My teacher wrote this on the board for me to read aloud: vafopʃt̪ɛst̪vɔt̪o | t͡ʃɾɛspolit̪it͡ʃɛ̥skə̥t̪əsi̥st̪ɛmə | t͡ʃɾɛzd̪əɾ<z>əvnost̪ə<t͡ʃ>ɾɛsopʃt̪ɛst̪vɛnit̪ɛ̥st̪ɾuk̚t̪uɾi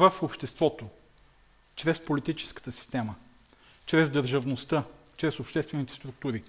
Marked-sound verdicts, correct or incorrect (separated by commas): incorrect, correct